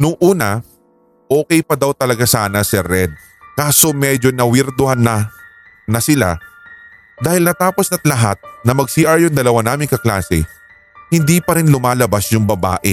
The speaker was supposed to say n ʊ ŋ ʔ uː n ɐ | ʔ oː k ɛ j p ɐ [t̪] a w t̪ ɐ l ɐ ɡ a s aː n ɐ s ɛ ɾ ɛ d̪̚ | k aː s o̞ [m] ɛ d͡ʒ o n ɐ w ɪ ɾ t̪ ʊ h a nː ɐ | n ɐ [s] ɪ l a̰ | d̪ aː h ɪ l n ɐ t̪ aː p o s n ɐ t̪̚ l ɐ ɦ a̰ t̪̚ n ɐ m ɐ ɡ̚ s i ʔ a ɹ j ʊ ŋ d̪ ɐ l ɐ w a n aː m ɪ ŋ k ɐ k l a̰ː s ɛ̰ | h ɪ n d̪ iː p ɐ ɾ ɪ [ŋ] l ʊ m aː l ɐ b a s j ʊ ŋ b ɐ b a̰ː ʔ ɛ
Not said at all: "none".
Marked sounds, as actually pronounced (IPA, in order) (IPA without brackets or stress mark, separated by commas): d̪, m, s, n